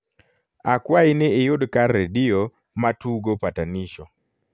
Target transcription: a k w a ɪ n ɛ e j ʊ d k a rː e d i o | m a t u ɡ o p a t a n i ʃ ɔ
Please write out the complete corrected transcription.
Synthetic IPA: a k w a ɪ n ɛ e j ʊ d k a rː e d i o | m a t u ɡ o p a t a n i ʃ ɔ